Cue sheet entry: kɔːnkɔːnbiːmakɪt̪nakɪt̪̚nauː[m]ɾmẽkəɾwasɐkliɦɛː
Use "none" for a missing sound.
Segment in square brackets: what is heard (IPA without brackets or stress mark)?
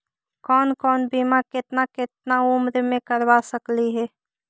m